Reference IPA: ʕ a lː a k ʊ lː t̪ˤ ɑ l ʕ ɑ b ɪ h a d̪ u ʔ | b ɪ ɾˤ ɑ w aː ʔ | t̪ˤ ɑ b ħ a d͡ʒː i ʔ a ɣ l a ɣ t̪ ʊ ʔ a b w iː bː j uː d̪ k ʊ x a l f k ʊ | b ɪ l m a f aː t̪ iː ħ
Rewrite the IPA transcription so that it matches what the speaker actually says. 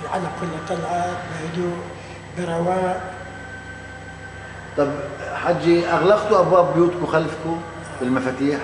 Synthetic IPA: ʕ a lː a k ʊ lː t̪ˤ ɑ l ʕ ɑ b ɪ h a d̪ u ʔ | b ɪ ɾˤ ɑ w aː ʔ | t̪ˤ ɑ b ħ a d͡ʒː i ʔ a ɣ l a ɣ t̪ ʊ ʔ a b w aː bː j uː t̪ k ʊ x a l f k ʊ | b ɪ l m a f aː t̪ iː ħ

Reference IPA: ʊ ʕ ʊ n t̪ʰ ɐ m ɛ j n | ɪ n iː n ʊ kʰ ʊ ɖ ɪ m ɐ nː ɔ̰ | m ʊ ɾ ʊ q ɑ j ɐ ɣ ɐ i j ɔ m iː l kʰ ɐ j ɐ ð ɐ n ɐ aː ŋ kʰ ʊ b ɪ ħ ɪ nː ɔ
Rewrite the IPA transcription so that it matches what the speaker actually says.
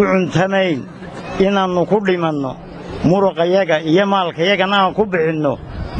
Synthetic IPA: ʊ ʕ ʊ n t̪ʰ ɐ m ɛ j n | ɪ n aː n ʊ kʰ ʊ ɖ ɪ m ɐ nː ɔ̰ | m ʊ ɾ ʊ q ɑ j ɐ ɣ ɐ i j ɔ m aː l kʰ ɐ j ɐ ɣ ɐ n ɐ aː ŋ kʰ ʊ b ɪ ħ ɪ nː ɔ

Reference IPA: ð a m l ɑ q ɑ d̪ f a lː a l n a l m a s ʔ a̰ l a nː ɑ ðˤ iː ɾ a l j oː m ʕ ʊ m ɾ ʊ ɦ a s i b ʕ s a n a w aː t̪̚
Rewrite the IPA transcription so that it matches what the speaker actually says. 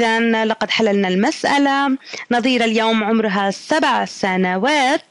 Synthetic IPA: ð a n l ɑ q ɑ d̪ ħ a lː a l n a l m a s ʔ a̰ l a n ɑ ðˤ iː ɾ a l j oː m ʕ ʊ m ɾ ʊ ɦ a s a b ʕ s a n a w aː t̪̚

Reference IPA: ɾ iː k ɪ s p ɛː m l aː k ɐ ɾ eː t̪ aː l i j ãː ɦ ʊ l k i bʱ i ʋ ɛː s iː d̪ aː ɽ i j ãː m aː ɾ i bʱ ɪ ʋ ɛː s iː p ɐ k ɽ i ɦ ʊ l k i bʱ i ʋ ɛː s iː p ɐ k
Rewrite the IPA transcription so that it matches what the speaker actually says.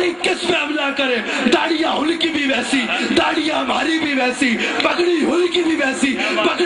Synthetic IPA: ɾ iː k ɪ s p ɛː m l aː k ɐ ɾ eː d̪ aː ɽ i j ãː ɦ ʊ l k i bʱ i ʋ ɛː s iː d̪ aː ɽ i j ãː m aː ɾ i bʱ i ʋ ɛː s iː p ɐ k ɽ i ɦ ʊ l k i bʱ i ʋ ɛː s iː p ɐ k

